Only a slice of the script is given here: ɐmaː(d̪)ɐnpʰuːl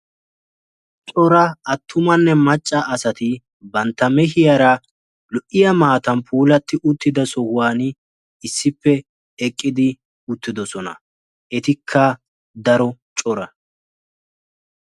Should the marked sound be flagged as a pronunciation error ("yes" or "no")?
yes